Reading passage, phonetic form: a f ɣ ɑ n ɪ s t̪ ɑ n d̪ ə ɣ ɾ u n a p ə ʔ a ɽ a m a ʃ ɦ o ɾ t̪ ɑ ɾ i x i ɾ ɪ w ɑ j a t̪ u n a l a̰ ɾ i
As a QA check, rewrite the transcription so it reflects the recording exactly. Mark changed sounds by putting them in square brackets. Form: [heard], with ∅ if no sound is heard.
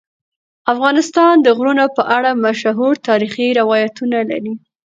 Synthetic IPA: a f ɣ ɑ n ɪ s t̪ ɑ n d̪ ə ɣ ɾ u n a p ə ʔ a ɽ a m a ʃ ɦ [u] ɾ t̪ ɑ ɾ i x i ɾ ɪ w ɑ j a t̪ u n a l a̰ ɾ i